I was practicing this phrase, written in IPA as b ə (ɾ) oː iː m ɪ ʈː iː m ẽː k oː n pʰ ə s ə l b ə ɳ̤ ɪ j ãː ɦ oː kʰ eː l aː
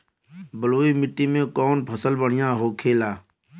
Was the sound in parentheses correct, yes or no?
no